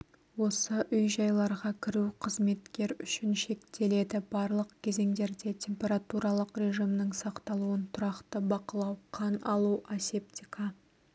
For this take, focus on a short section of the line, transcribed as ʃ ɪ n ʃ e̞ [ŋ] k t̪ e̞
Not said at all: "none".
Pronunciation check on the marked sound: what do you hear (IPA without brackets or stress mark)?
none